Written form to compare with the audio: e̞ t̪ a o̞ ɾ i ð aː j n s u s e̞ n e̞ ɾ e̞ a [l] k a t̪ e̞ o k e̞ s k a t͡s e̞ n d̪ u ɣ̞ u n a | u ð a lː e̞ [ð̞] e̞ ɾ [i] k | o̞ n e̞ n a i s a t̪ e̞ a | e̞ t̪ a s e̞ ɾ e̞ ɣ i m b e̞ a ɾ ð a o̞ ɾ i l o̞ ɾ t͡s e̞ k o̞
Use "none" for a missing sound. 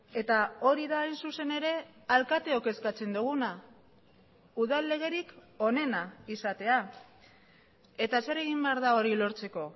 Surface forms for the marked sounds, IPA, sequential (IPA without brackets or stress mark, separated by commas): l, ɣ̞, i